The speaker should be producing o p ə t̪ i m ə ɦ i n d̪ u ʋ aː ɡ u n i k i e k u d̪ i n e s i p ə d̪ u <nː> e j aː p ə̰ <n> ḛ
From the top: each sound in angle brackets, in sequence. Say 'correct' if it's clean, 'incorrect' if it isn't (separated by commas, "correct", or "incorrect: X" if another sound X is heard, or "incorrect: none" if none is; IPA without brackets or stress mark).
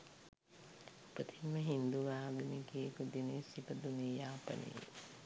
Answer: incorrect: n, correct